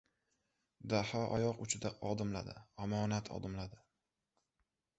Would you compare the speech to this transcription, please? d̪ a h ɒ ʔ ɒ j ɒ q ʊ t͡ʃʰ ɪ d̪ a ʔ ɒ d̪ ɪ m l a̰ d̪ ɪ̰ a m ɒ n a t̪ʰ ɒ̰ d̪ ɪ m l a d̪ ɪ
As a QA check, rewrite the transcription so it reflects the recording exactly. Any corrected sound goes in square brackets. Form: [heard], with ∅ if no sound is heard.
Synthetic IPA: d̪ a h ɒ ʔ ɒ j ɒ q ʊ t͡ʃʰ ɪ d̪ a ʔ ɒ d̪ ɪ m l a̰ d̪ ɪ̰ a m ɒ n a t̪ʰ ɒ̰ d̪ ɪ m l a d̪ ɪ